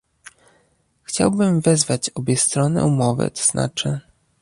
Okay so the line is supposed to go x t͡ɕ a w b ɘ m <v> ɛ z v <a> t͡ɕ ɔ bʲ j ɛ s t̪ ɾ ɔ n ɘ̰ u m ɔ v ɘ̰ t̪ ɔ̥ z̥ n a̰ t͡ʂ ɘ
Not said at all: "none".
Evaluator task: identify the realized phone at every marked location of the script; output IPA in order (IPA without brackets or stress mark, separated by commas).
v, a